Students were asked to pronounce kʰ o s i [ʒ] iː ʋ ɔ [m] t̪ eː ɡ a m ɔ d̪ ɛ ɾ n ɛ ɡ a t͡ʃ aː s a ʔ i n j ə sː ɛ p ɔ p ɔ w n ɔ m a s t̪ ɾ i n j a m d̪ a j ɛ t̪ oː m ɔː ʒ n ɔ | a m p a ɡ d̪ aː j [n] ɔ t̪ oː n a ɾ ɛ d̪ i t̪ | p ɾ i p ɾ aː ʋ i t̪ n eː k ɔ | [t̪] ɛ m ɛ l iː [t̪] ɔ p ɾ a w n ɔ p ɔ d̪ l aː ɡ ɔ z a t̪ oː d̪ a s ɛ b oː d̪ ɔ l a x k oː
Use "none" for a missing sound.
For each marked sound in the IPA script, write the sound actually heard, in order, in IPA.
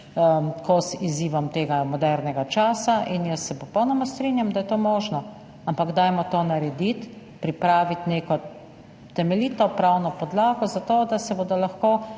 z, m, m, t̪, t̪

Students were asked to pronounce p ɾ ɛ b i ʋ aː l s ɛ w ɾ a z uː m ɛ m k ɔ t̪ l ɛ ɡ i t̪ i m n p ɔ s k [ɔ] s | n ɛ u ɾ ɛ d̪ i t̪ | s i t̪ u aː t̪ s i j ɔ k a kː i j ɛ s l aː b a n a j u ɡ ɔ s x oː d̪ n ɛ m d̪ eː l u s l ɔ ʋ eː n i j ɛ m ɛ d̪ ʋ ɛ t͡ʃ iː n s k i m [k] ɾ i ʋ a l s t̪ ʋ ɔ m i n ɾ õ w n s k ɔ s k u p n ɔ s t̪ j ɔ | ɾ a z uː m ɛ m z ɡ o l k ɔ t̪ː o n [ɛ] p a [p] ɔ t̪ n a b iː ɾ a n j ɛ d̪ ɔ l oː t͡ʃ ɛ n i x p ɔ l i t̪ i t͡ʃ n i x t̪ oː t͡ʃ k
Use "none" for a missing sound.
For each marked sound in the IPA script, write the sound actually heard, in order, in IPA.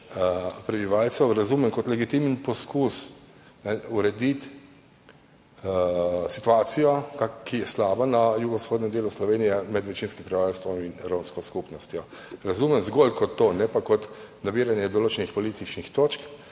u, p, ɛ, k

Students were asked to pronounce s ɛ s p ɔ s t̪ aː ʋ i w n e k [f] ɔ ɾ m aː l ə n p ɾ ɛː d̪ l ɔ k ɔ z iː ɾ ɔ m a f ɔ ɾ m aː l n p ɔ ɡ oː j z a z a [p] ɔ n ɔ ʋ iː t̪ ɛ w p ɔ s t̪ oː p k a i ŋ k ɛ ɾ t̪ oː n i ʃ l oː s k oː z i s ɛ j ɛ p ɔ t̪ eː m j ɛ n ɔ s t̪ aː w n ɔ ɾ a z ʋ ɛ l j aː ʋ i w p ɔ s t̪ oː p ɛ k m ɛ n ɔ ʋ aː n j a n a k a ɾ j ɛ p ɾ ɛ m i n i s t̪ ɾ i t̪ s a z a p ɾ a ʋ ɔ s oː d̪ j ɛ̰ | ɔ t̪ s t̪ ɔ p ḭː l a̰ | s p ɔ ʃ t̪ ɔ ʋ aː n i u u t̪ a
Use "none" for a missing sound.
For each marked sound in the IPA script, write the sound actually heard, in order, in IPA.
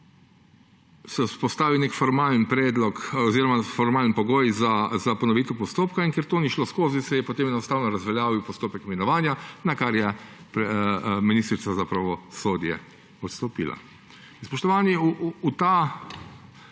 f, p

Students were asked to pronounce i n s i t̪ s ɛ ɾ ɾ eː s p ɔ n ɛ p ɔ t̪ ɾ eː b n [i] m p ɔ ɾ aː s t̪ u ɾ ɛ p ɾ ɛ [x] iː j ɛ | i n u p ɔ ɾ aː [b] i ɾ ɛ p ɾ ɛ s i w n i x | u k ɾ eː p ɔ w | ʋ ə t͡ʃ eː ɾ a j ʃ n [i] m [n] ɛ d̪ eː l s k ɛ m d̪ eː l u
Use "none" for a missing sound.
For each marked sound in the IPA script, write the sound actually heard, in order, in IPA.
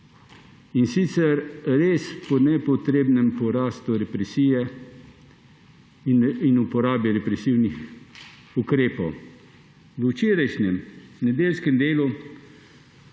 ɛ, s, b, ɛ, n

